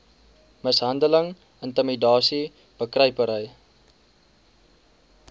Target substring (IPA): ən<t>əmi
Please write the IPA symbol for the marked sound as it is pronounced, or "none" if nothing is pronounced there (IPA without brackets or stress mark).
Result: t